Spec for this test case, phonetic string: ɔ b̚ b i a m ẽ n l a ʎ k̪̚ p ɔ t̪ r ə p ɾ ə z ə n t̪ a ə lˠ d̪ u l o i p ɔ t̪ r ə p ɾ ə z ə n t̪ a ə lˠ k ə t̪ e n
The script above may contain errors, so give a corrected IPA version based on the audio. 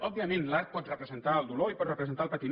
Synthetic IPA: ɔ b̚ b i ə m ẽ n l a ɾ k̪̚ p ɔ t̪ r ə p ɾ ə z ə n t̪ a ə lˠ d̪ u l o i p ɔ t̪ r ə p ɾ ə z ə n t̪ a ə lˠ p ə t̪ i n